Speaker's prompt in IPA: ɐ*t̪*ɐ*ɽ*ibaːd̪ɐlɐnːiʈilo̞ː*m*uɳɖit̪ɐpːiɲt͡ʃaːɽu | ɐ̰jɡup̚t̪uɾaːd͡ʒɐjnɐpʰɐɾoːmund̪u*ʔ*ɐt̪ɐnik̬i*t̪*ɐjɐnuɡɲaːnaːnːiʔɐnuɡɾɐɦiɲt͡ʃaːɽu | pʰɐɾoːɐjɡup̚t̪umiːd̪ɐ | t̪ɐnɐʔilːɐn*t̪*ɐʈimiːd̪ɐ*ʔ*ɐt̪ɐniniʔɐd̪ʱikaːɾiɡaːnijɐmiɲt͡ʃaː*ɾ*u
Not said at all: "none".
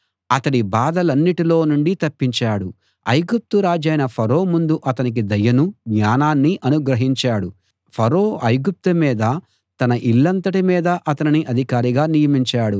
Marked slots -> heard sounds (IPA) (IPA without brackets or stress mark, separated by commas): t̪, ɽ, n, ʔ, d̪, t̪, ʔ, ɽ